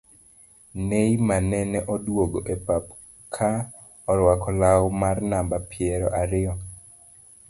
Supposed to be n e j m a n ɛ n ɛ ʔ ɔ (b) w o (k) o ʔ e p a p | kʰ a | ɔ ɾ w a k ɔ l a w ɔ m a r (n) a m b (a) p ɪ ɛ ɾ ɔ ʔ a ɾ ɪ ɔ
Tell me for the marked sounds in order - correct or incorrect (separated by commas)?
incorrect, incorrect, correct, correct